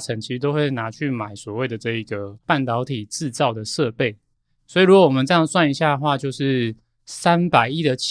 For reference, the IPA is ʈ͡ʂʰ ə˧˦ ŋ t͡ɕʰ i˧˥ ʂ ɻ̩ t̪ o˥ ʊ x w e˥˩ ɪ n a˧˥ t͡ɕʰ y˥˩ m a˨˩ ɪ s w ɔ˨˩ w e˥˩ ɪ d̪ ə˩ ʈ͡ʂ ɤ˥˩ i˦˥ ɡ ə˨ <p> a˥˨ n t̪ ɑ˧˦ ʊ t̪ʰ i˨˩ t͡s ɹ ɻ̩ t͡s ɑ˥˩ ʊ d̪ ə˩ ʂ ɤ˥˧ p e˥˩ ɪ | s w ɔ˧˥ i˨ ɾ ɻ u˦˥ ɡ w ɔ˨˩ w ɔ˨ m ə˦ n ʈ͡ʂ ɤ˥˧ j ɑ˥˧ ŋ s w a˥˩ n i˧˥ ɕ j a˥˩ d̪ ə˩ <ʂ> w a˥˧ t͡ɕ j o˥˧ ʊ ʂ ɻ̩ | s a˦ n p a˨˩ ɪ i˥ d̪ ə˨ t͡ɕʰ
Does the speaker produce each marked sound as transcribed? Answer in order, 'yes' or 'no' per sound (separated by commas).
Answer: yes, no